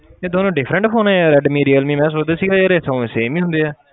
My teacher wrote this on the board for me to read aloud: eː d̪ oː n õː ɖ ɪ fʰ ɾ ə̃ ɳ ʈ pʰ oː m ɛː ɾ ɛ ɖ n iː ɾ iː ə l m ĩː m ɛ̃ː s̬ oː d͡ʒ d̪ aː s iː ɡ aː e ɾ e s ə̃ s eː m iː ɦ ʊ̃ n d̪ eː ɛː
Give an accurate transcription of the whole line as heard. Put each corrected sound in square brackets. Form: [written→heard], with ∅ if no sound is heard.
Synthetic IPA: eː d̪ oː n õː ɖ ɪ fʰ ɾ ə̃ ɳ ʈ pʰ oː [m→n] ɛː ɾ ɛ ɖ [n→m] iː ɾ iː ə l m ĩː m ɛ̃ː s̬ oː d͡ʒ d̪ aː s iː ɡ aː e ɾ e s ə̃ s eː m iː ɦ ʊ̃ n d̪ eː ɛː